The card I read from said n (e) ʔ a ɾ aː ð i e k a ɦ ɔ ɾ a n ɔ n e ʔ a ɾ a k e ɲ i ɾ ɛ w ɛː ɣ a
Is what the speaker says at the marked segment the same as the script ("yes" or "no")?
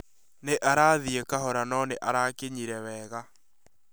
yes